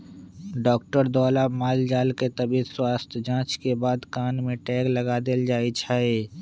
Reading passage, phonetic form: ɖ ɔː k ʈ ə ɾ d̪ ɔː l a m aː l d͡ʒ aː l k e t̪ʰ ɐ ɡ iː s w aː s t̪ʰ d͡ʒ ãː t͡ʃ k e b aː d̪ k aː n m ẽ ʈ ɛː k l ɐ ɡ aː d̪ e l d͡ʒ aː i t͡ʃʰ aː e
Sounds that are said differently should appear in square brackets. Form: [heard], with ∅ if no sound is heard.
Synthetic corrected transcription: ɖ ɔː k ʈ ə ɾ d̪ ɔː l a m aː l d͡ʒ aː l k e [t̪] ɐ [b] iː s w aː s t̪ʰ d͡ʒ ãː t͡ʃ k e b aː d̪ k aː n m ẽ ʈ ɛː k l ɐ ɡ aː d̪ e l d͡ʒ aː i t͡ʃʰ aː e